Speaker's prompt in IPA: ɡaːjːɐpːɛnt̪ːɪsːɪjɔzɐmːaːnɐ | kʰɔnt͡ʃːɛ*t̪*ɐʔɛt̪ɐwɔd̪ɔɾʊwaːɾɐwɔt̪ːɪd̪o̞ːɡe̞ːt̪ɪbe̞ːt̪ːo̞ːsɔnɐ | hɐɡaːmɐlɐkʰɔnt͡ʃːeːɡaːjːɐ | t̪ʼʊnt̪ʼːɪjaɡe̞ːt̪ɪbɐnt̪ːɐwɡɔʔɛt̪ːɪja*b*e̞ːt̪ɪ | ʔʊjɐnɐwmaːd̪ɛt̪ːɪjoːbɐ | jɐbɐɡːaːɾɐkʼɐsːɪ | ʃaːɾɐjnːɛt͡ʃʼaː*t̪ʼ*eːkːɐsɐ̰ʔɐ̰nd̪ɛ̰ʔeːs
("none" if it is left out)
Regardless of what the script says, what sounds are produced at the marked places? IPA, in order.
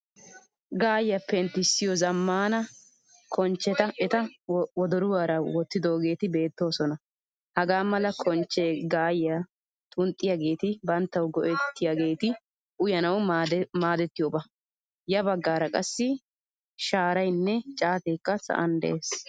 t̪, ɡ, t̪

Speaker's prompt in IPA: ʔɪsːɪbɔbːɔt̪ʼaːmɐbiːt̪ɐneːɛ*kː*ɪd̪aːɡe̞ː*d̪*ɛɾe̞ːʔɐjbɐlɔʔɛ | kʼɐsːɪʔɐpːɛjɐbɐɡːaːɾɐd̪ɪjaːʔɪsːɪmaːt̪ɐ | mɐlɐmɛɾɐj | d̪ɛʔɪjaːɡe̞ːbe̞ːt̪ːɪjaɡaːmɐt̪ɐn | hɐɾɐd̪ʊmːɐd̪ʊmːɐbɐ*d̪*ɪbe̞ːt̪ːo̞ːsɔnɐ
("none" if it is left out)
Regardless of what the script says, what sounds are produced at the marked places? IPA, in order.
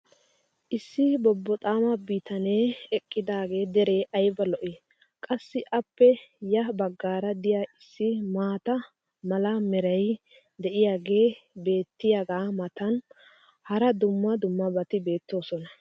kʼː, d̪, t̪

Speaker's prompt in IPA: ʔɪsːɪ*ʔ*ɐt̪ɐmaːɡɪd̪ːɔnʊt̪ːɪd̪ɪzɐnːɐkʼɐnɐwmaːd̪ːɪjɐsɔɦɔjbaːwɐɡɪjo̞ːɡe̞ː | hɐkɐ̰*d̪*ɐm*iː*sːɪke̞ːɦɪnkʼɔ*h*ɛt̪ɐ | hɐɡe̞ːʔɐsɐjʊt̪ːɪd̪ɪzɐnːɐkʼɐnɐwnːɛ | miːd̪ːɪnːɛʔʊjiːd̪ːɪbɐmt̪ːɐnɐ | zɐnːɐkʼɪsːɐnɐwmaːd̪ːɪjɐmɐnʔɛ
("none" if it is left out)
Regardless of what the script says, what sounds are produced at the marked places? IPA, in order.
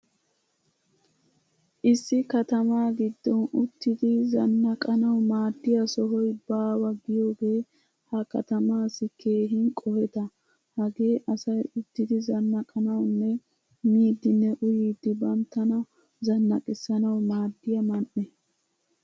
k, t̪, aː, h

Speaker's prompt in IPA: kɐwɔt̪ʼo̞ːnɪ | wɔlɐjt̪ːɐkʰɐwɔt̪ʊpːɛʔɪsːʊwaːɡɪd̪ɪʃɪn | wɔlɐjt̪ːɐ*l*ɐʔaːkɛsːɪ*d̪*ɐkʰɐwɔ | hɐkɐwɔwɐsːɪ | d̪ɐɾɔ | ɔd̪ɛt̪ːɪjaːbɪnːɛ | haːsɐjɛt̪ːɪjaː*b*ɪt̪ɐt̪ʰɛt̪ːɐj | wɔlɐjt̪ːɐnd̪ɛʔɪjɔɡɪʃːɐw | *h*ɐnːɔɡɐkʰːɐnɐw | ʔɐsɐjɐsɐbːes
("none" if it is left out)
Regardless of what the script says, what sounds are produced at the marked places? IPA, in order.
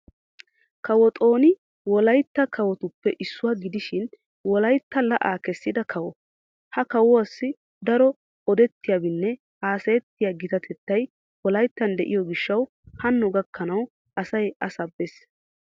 l, d̪, ɡ, h

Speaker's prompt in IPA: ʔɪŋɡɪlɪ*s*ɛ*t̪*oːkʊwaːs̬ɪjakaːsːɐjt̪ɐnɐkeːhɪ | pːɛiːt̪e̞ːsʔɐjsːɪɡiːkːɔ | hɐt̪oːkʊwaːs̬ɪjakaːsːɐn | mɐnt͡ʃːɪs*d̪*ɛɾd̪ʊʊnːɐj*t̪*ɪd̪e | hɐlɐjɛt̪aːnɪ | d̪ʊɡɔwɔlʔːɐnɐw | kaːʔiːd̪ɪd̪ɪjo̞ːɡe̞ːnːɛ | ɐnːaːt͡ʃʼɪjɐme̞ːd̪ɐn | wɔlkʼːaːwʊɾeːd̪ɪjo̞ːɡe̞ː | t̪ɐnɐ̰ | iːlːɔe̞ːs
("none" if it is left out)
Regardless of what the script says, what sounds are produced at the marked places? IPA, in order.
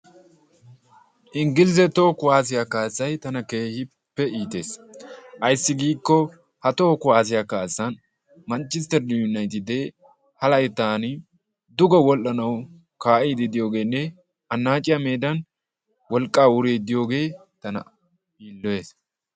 z, t̪, t̪, t̪

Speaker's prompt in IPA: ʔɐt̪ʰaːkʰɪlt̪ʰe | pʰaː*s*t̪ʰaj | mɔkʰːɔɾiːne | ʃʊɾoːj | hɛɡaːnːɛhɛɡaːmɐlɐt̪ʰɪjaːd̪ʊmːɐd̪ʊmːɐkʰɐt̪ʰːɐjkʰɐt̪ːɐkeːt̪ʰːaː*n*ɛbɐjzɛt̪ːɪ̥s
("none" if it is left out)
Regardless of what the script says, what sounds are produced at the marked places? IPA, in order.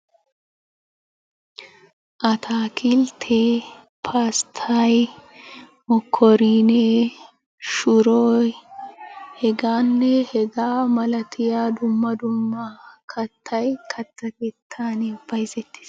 s, n

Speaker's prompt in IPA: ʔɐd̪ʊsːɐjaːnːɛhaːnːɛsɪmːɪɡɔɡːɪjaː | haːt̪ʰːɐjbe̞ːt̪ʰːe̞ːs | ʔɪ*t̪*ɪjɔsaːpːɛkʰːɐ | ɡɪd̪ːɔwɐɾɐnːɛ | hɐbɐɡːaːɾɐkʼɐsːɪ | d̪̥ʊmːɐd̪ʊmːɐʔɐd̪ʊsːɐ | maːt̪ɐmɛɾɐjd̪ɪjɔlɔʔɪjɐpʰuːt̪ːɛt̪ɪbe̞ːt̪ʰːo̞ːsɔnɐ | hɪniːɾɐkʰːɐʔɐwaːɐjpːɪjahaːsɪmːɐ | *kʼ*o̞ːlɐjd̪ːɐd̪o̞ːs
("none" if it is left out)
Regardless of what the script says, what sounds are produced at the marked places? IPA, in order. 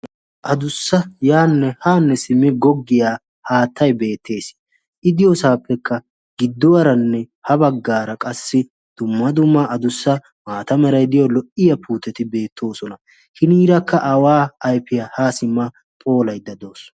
d̪, pʼ

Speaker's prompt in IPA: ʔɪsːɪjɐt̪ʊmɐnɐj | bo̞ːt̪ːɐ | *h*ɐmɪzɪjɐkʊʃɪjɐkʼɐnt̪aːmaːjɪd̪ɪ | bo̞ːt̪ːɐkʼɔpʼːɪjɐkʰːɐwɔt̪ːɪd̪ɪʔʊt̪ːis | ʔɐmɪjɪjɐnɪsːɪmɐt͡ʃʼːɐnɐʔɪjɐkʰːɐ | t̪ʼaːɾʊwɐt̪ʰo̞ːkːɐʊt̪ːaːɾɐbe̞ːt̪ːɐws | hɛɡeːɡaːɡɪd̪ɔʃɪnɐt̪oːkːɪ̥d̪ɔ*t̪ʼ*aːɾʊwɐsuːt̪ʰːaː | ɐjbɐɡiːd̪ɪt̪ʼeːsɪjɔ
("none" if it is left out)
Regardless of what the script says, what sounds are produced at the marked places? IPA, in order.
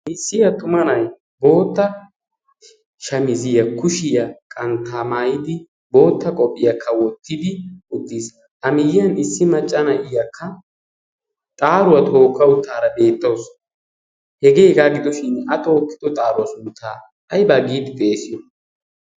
ʃ, t̪ʼ

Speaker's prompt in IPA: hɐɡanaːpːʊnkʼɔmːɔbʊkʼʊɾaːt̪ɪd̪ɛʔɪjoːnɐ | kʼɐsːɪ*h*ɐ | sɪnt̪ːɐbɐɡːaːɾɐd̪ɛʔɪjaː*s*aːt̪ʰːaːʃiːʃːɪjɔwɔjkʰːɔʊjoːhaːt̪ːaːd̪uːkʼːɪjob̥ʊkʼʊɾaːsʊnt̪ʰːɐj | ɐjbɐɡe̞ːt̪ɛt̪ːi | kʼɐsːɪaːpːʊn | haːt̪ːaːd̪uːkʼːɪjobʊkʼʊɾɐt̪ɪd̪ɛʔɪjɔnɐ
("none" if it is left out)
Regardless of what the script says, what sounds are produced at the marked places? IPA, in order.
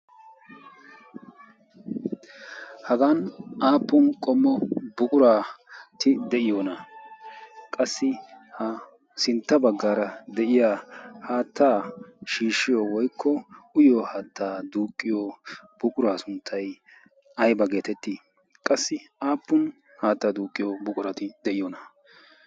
h, h

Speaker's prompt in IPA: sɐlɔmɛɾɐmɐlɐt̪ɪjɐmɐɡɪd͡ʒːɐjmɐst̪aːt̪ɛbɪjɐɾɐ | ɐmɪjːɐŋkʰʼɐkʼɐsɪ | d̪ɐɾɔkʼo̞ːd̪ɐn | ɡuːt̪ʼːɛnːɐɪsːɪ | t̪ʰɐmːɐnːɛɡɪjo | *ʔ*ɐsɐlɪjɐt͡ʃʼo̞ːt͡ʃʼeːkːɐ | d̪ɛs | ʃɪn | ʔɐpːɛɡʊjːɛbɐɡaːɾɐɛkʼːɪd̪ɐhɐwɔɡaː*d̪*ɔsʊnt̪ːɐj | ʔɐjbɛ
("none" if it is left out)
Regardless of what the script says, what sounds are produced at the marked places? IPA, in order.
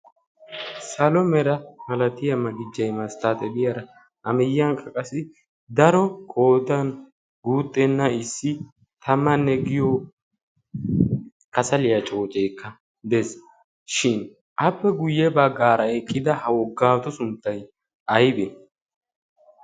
k, t̪

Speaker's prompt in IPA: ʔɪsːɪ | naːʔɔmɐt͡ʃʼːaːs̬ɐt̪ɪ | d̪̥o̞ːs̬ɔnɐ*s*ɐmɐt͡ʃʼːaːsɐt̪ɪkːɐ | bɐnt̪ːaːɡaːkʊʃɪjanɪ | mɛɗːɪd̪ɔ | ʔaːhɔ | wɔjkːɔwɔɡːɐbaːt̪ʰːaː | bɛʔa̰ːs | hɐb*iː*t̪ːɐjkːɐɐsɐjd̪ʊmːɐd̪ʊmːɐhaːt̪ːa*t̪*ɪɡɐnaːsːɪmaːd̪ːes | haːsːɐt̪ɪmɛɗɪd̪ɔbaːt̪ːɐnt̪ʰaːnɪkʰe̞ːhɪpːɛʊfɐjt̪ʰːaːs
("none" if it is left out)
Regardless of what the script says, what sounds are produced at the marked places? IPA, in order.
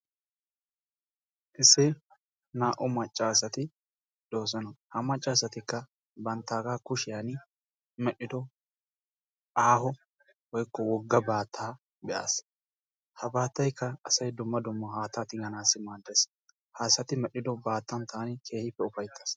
h, aː, t̪

